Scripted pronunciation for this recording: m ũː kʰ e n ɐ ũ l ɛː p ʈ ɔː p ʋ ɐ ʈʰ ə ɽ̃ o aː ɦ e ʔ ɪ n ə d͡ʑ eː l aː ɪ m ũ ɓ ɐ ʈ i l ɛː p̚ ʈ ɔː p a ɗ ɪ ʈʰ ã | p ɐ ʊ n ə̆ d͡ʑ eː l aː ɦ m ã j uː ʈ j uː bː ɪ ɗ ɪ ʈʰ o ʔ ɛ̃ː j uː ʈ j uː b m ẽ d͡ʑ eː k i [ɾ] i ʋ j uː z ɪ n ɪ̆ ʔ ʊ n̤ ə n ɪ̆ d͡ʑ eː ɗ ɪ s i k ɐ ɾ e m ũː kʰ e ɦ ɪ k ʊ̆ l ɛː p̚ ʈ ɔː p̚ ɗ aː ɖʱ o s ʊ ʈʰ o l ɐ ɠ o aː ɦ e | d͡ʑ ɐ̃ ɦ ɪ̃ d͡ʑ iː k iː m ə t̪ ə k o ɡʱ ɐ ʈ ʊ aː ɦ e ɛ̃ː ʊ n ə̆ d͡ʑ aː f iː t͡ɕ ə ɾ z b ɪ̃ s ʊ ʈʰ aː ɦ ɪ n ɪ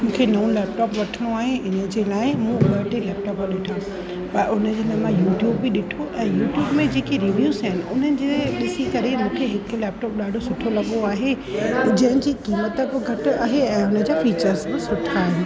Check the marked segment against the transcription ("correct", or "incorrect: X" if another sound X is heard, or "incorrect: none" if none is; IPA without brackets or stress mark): correct